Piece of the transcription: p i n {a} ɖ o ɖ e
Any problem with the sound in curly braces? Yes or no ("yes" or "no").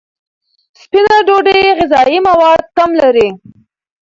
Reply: no